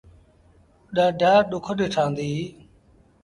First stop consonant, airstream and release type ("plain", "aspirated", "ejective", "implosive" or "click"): implosive